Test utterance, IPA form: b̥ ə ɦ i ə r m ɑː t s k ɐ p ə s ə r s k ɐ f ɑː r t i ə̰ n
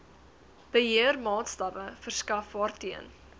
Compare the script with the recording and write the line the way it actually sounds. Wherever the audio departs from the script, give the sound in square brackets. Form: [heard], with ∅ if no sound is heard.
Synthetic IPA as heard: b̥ ə ɦ i ə r m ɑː t s [t] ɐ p ə [f] ə r s k ɐ f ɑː r t i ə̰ n